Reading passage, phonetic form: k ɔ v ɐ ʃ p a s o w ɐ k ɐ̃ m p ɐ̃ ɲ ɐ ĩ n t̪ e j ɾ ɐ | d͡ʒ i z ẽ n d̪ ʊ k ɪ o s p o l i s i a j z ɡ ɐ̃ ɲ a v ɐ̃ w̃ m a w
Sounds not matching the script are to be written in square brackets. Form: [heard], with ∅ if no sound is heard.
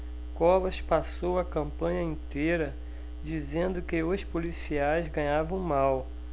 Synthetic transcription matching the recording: k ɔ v ɐ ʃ p a s o w ɐ k ɐ̃ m p ɐ̃ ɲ ɐ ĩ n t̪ e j ɾ ɐ | d͡ʒ i z ẽ n d̪ ʊ k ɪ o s p o l i s i a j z ɡ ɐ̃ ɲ a v ɐ̃ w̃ m a w